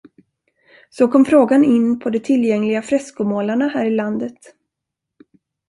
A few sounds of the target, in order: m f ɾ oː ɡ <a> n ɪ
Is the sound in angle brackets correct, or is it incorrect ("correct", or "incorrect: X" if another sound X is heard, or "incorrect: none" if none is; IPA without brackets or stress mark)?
correct